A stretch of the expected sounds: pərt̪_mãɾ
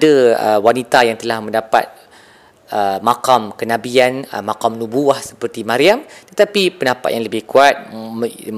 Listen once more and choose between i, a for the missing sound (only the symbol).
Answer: i